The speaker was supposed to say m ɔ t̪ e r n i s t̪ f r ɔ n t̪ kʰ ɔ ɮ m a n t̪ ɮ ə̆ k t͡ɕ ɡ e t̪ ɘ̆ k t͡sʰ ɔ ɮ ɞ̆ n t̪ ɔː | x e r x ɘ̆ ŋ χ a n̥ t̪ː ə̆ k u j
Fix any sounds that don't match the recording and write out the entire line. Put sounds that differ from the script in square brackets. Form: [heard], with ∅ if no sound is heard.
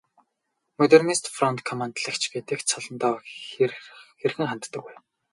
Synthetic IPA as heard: m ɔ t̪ e r n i s t̪ f r ɔ n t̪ kʰ ɔ [∅] m a n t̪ ɮ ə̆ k t͡ɕ ɡ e t̪ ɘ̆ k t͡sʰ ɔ ɮ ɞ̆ n t̪ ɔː | x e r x ɘ̆ ŋ χ a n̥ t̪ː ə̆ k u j

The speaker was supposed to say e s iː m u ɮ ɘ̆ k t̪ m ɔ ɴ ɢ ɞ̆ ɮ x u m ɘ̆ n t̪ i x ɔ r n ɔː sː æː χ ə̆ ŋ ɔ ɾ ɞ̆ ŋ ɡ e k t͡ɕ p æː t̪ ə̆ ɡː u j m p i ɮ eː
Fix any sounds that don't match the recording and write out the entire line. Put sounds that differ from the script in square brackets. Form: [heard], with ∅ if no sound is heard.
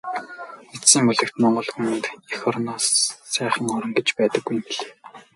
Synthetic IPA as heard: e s iː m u ɮ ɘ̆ k t̪ m ɔ ɴ ɢ ɞ̆ ɮ x u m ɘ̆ n t̪ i x ɔ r n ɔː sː æː χ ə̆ ŋ ɔ ɾ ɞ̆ ŋ ɡ e [∅] t͡ɕ p æː t̪ ə̆ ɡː u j m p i ɮ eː

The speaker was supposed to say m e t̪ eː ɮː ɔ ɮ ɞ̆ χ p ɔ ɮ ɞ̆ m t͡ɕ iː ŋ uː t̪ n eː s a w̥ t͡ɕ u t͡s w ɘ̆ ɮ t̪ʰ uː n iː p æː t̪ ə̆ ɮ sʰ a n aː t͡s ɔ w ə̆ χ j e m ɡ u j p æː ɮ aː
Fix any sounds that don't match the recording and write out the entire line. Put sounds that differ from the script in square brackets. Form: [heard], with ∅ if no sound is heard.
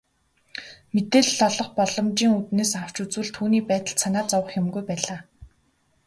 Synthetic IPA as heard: m e t̪ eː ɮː ɔ ɮ ɞ̆ χ p ɔ ɮ ɞ̆ m t͡ɕ iː ŋ [u] t̪ n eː s a w̥ t͡ɕ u t͡s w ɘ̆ ɮ t̪ʰ uː n iː p æː t̪ ə̆ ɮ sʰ a n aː t͡s ɔ w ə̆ χ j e m ɡ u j p æː ɮ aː

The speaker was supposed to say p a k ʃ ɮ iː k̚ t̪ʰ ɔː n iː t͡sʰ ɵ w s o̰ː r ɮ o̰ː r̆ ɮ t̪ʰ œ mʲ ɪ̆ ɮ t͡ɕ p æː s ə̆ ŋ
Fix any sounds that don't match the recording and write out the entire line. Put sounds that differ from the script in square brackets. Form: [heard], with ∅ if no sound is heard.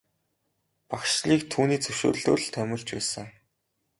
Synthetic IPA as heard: p a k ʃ ɮ iː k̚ t̪ʰ [uː] n iː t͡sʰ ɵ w [ʃ] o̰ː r ɮ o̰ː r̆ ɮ t̪ʰ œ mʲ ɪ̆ ɮ t͡ɕ p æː s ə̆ ŋ

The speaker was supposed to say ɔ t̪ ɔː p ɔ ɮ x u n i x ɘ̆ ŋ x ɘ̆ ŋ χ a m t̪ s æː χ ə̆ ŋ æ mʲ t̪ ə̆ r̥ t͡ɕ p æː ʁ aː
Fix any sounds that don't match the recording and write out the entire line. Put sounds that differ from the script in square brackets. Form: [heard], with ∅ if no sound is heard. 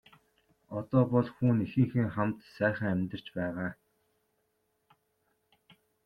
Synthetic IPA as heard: ɔ t̪ ɔː p ɔ ɮ x [uː] n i x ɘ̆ ŋ x ɘ̆ ŋ χ a m t̪ s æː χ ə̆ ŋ æ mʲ t̪ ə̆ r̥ t͡ɕ p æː ʁ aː

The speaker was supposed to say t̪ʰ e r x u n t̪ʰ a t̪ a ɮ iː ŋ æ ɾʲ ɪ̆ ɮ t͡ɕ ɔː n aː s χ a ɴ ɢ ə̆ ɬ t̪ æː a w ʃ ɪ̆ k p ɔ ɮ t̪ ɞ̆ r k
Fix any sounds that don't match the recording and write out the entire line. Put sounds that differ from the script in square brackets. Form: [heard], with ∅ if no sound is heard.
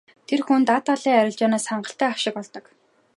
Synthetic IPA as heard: t̪ʰ e r x u n [t̪] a t̪ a ɮ iː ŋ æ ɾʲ ɪ̆ ɮ t͡ɕ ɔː n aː s χ a ɴ ɢ ə̆ ɬ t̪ æː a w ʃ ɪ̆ k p ɔ ɮ t̪ ɞ̆ [∅] k

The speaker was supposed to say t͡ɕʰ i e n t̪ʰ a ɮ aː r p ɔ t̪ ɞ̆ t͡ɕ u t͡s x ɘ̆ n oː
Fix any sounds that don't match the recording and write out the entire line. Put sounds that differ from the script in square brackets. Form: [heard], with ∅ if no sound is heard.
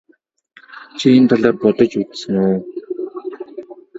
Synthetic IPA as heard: t͡ɕʰ i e n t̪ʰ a ɮ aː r p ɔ t̪ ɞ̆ t͡ɕ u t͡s [s] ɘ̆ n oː

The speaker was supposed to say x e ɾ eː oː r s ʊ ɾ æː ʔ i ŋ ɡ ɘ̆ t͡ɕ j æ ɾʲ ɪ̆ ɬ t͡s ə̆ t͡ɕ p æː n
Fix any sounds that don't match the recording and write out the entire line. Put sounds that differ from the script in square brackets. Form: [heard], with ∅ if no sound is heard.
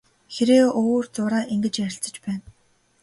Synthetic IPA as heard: x e ɾ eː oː r [t͡s] ʊ ɾ [aː] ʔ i ŋ ɡ ɘ̆ t͡ɕ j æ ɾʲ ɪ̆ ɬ t͡s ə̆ t͡ɕ p æː n

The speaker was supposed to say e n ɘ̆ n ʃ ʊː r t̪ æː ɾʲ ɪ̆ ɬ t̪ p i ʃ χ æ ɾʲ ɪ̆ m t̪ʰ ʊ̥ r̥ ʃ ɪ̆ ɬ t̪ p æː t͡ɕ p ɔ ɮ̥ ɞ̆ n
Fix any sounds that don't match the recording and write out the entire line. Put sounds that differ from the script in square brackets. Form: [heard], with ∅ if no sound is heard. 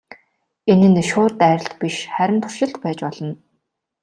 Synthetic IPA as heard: e n ɘ̆ n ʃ ʊː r t̪ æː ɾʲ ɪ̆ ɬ t̪ p i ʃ χ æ ɾʲ ɪ̆ m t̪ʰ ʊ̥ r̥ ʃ ɪ̆ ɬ t̪ p æː t͡ɕ p ɔ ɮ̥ ɞ̆ n

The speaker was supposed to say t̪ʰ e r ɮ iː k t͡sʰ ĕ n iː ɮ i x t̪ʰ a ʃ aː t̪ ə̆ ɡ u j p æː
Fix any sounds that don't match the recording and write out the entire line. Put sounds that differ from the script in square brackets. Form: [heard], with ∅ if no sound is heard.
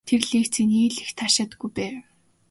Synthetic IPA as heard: t̪ʰ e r ɮ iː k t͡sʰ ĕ n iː ɮ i x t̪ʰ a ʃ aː t̪ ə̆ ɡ u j p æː

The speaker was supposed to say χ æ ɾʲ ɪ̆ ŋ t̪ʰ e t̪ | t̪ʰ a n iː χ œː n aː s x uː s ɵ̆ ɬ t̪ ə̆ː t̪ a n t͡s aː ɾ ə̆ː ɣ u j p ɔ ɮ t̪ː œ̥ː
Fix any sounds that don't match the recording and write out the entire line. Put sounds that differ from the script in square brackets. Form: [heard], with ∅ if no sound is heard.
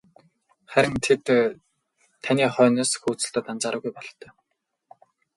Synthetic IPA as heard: χ æ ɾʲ ɪ̆ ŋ t̪ʰ e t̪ | t̪ʰ a n iː χ œː n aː s x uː [t͡s] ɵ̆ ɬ t̪ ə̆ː t̪ a n t͡s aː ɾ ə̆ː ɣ u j p ɔ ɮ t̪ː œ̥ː

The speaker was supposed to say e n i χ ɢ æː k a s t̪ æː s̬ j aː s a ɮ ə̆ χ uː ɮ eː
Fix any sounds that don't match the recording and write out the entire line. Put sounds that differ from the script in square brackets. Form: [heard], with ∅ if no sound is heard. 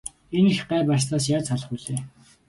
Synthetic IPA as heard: e n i [x] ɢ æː [p] a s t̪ [aː] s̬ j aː [t͡s] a ɮ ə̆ χ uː ɮ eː

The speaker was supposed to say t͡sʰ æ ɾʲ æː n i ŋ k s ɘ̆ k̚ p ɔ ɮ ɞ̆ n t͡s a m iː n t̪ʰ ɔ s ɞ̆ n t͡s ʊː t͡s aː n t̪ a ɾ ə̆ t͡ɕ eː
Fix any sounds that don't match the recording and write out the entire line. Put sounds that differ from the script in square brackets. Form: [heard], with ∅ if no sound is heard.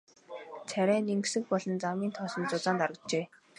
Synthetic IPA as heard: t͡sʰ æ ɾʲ æː n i ŋ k s ɘ̆ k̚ p ɔ ɮ ɞ̆ n t͡s a m iː n t̪ʰ ɔ s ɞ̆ n t͡s [ʊ] t͡s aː n t̪ a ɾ ə̆ t͡ɕ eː

